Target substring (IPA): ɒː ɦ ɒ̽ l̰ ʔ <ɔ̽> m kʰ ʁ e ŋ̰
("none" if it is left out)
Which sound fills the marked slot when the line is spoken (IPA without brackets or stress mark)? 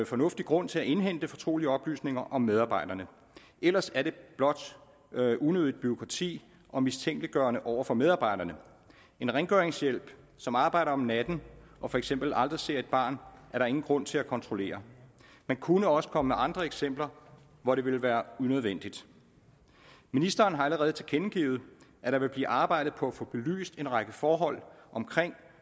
ɒ̽